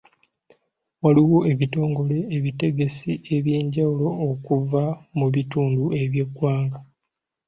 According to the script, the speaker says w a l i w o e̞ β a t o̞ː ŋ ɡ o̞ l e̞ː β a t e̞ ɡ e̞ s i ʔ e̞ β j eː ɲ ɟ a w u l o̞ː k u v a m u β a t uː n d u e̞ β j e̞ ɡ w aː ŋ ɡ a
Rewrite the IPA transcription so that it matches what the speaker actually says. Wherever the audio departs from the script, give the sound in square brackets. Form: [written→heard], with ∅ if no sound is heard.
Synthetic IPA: w a l i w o e̞ β [a→i] t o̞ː ŋ ɡ o̞ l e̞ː β [a→i] t e̞ ɡ e̞ s i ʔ e̞ β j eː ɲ ɟ a w u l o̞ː k u v a m u β [a→i] t uː n d u e̞ β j e̞ ɡ w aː ŋ ɡ a